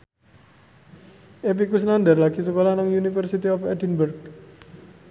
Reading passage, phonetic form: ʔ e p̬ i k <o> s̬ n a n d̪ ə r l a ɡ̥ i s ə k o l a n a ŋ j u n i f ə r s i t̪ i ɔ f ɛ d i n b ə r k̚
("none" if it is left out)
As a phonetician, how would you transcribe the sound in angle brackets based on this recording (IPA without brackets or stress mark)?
u